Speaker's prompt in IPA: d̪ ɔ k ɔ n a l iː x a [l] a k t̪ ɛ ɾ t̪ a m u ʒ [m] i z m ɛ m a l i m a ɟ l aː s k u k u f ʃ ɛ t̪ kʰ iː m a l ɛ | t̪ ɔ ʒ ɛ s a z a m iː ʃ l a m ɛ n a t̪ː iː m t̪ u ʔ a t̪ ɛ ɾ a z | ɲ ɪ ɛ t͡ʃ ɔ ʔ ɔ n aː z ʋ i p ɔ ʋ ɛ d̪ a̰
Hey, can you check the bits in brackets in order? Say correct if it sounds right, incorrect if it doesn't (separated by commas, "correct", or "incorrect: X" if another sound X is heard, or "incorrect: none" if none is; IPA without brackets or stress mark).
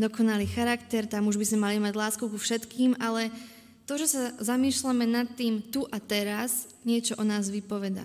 incorrect: ɾ, incorrect: b